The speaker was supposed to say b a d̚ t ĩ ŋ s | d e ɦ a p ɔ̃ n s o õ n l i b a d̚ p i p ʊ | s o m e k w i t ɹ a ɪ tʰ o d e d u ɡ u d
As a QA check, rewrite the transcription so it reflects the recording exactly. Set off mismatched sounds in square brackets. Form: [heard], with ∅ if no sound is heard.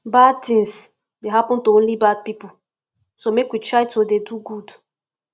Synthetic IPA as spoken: b a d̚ t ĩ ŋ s | d e ɦ a p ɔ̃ n [t] o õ n l i b a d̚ p i p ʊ | s o m e k w i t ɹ a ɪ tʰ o d e d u ɡ u d